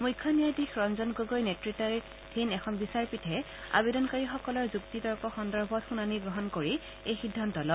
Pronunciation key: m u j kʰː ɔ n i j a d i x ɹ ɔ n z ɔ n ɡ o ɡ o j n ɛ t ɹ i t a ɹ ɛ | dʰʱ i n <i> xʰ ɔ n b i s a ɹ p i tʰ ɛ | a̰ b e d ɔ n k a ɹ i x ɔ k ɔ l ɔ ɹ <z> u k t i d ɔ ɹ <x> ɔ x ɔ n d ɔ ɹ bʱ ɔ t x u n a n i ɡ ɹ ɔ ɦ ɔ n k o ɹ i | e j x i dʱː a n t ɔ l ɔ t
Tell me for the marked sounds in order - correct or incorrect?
incorrect, correct, incorrect

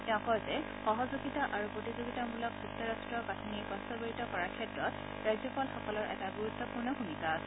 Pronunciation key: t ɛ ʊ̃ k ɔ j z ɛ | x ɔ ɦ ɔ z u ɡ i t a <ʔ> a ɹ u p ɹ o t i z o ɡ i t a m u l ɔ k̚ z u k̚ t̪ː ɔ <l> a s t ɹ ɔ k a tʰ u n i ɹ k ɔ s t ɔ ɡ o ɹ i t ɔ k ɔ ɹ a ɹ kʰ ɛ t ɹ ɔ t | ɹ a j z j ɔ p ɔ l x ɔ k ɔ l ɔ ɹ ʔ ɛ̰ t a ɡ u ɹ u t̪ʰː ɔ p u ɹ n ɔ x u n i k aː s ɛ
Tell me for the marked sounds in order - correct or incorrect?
correct, incorrect

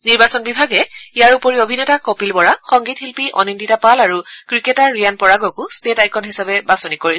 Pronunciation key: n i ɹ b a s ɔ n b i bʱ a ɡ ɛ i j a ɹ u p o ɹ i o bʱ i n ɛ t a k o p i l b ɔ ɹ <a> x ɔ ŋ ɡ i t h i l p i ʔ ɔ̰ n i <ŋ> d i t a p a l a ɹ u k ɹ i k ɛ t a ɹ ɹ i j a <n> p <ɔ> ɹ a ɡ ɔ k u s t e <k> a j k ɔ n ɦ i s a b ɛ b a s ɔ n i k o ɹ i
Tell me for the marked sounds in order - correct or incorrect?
correct, incorrect, correct, correct, incorrect

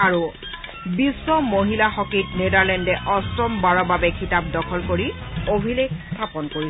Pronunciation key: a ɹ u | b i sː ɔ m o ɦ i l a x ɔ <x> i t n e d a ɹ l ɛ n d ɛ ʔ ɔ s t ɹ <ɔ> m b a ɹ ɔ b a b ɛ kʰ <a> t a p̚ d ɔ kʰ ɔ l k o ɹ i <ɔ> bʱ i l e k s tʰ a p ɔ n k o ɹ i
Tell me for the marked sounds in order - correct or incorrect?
incorrect, correct, incorrect, incorrect

